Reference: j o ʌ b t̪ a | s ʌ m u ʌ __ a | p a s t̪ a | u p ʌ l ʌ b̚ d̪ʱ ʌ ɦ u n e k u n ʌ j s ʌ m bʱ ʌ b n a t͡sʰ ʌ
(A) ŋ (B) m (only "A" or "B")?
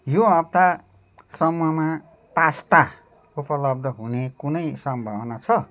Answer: B